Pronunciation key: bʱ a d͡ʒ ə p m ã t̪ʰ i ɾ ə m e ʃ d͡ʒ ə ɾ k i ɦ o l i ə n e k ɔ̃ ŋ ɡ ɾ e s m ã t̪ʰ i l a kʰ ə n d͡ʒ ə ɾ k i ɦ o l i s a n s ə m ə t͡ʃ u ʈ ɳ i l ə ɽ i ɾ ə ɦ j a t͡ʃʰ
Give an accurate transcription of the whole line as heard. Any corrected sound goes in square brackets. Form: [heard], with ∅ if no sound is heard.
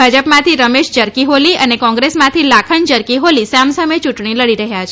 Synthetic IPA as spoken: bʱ a d͡ʒ ə p m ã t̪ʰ i ɾ ə m e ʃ d͡ʒ ə ɾ k i ɦ o l i ə n e k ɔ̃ ŋ ɡ ɾ e s m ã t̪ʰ i l a kʰ ə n d͡ʒ ə ɾ k i ɦ o l i s a [m] s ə m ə t͡ʃ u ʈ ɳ i l ə ɽ i ɾ ə ɦ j a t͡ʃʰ